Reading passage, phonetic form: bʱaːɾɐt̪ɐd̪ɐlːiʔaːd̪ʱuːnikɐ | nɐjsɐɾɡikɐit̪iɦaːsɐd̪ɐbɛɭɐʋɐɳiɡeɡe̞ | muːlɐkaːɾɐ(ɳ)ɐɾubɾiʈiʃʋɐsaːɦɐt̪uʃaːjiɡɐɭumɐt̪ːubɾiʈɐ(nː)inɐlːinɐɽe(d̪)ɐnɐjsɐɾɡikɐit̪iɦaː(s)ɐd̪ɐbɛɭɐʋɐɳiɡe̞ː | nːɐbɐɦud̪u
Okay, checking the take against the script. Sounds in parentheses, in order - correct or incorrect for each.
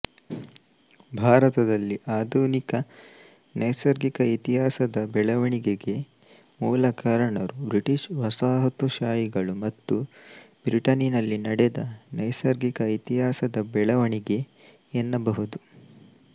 correct, incorrect: n, correct, correct

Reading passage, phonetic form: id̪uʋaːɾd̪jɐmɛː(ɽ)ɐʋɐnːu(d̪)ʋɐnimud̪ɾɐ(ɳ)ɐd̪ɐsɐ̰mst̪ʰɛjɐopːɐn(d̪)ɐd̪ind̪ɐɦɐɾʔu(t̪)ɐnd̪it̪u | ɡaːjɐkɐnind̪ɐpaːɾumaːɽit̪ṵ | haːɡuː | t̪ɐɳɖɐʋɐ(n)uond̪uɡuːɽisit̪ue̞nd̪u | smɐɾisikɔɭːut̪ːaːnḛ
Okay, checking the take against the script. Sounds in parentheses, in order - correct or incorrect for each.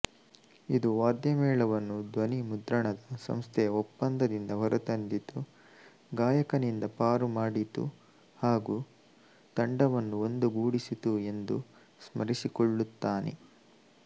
incorrect: ɭ, correct, correct, correct, correct, incorrect: nː

